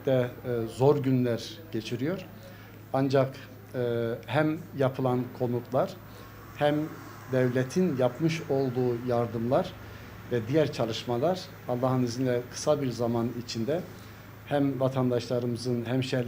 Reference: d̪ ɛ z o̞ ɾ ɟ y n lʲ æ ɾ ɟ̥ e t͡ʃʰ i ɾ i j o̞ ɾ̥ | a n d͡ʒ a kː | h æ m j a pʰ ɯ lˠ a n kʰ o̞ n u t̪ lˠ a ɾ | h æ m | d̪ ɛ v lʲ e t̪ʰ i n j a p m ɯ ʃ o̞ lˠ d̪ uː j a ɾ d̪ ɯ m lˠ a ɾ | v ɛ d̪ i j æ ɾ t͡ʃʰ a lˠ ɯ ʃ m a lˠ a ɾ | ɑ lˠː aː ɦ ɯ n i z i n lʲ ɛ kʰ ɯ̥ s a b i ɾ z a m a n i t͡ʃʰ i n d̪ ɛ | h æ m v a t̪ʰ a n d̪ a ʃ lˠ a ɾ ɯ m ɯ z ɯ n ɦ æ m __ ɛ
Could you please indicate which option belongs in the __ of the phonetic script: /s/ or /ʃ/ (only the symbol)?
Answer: ʃ